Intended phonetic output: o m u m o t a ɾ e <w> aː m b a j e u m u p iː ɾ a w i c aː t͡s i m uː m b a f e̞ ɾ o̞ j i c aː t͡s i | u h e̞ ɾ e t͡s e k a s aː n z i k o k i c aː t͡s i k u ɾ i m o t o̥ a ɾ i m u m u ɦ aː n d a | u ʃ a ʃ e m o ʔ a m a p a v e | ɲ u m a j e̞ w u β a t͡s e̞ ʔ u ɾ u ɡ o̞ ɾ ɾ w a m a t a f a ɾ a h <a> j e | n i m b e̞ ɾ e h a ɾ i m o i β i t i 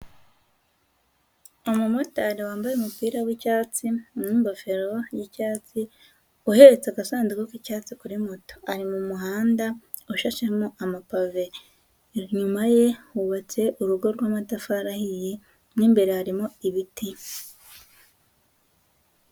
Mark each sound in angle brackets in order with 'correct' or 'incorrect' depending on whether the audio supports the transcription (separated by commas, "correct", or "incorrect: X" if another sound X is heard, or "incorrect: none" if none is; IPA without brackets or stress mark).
correct, incorrect: i